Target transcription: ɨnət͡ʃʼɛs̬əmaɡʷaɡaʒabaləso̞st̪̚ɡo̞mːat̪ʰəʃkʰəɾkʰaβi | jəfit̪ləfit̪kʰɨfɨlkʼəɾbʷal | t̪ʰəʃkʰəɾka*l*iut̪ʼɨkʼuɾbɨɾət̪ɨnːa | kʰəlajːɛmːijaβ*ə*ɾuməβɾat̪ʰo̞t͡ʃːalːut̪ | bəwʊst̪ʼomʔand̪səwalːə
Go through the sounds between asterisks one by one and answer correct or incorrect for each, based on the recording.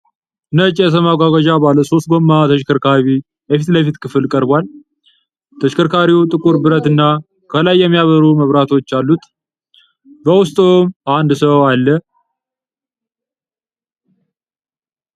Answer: incorrect: ɾ, correct

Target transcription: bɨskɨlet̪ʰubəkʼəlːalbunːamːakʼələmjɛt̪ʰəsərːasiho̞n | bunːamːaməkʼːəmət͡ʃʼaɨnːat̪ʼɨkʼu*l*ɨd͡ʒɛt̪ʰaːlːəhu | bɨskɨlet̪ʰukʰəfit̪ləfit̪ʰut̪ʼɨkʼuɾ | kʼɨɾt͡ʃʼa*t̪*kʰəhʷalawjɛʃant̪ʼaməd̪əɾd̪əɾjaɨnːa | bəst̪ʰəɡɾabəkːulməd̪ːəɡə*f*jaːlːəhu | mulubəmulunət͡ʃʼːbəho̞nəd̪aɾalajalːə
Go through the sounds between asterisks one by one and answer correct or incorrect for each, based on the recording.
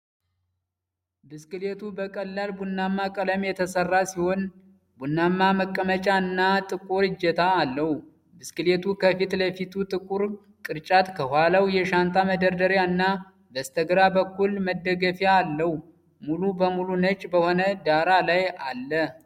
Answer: incorrect: ɾ, correct, correct

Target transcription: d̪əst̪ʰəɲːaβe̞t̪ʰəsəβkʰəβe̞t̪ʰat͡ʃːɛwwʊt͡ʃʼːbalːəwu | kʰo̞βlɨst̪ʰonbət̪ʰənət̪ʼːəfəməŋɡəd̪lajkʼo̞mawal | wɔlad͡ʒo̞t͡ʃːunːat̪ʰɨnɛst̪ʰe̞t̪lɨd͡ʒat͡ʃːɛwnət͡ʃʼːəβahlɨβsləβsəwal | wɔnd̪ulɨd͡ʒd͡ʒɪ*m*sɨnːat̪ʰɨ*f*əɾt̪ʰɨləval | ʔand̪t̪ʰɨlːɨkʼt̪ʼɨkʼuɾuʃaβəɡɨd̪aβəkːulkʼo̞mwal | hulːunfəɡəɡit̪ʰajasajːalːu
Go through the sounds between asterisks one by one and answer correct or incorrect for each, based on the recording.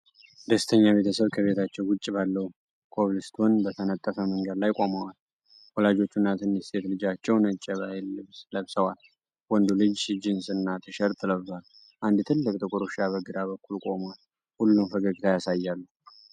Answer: incorrect: n, incorrect: ʃ

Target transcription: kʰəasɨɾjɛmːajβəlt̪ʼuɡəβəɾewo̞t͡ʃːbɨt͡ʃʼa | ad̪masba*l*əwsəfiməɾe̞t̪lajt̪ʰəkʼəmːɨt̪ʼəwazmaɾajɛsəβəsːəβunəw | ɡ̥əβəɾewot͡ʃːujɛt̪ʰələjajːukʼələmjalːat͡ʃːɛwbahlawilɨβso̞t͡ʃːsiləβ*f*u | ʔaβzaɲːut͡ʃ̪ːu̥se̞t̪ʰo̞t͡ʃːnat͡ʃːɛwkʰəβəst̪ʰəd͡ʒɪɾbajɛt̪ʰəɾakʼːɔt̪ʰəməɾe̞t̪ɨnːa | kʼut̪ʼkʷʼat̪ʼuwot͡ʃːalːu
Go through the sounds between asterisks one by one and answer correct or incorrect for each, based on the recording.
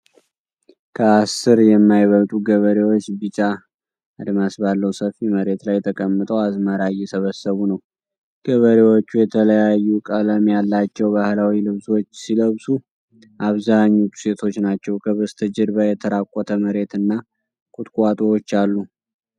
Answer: incorrect: lː, incorrect: s

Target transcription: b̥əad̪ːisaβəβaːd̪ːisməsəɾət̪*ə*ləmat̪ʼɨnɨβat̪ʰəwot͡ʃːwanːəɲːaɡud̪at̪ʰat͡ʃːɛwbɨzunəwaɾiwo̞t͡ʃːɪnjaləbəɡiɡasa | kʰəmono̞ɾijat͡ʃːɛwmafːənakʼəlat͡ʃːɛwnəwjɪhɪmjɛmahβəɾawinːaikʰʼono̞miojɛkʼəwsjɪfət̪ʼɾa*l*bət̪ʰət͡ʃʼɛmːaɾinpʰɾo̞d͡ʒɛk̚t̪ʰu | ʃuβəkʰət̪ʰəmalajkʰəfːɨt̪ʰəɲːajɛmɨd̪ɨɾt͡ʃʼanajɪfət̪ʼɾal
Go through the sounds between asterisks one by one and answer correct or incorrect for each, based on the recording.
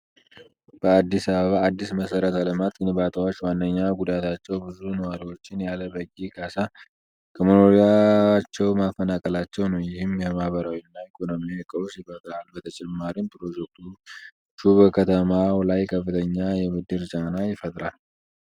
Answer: incorrect: a, correct

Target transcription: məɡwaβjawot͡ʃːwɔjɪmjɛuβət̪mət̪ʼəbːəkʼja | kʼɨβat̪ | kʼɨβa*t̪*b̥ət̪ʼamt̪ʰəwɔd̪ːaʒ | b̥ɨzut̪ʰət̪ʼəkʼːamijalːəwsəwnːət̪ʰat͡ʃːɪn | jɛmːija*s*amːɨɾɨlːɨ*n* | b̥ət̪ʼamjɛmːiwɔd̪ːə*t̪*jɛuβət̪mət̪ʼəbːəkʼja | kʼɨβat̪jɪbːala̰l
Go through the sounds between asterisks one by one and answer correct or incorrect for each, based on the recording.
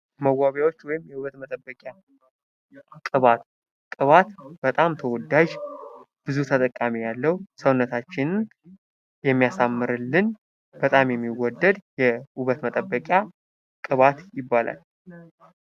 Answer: correct, correct, correct, incorrect: d̪

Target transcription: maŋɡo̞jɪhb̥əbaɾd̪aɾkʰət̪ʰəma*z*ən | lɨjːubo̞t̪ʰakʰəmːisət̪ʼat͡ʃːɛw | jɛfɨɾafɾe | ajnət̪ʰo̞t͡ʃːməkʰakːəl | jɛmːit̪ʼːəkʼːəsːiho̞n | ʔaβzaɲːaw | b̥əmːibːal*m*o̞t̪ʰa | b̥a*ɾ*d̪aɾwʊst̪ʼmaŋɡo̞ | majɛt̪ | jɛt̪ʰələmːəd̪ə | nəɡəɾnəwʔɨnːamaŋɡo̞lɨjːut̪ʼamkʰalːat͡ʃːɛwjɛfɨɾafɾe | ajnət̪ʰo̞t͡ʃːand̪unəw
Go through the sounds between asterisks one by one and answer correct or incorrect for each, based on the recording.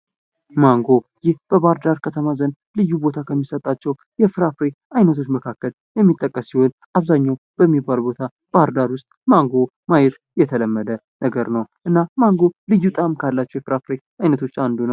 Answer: correct, incorrect: b, correct

